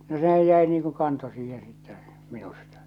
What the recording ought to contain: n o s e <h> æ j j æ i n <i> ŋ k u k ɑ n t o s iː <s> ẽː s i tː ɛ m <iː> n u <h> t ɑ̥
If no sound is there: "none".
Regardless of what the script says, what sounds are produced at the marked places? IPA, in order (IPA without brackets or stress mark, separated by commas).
h, iː, h, i, s